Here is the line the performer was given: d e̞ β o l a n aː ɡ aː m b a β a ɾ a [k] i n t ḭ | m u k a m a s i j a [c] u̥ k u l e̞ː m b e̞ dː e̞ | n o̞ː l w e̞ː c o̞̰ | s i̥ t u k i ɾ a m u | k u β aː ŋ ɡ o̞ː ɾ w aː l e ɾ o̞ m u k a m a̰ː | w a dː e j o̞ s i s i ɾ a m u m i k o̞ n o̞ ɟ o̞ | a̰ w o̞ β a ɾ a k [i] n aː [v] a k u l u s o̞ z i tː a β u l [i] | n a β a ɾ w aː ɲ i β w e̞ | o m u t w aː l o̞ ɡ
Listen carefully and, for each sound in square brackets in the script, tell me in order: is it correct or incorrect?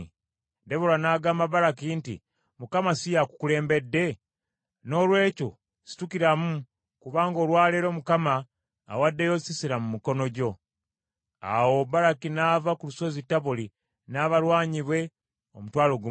correct, incorrect, correct, correct, correct

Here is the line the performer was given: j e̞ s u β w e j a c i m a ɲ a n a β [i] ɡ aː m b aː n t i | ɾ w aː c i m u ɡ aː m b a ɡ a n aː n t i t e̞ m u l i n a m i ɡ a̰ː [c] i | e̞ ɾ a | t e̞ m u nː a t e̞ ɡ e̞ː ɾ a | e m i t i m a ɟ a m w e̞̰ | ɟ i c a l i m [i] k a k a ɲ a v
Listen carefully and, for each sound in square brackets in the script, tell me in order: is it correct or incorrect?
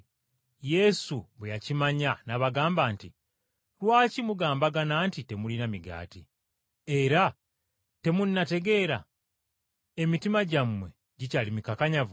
incorrect, incorrect, correct

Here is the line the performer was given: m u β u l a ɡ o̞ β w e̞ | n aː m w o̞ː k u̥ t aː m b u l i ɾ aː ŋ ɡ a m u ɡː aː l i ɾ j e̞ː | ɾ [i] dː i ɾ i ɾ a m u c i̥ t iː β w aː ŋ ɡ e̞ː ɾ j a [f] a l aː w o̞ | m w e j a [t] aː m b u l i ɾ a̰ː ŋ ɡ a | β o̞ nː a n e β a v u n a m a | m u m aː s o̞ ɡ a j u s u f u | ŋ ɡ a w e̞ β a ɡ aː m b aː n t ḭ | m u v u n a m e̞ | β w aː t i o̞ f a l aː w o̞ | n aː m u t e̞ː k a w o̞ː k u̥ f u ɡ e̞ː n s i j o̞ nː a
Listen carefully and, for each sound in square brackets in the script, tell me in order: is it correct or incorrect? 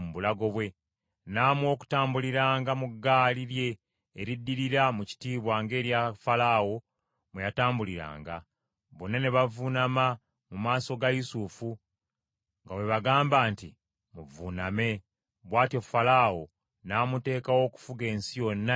correct, correct, correct

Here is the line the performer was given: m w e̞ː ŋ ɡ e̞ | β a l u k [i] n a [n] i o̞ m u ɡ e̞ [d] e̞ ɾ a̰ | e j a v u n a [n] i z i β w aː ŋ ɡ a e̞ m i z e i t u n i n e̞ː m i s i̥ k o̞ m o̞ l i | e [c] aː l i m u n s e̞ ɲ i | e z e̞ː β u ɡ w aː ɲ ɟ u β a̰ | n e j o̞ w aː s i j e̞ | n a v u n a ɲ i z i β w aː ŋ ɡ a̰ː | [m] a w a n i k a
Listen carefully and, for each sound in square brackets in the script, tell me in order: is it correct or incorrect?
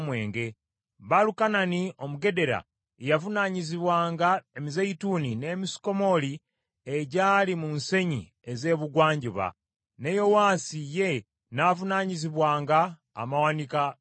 incorrect, correct, correct, incorrect, incorrect, correct

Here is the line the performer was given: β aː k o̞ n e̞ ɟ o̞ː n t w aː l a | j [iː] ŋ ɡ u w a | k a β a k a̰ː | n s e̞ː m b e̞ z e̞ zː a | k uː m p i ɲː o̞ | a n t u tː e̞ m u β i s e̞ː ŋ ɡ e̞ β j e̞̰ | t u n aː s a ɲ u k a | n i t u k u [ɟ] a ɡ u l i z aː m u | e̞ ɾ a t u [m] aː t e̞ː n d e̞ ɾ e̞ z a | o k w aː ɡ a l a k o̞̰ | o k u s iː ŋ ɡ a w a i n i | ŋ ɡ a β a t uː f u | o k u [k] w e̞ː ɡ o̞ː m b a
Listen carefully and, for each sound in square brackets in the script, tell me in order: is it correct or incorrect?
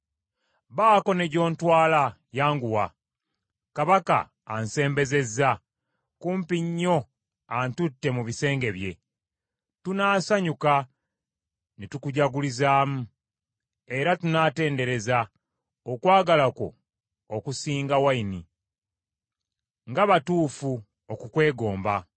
incorrect, correct, incorrect, correct

